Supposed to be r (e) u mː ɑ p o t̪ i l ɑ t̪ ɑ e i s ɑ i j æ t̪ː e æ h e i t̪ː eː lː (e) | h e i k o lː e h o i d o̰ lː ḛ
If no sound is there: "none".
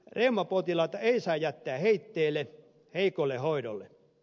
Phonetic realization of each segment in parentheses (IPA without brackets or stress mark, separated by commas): e, e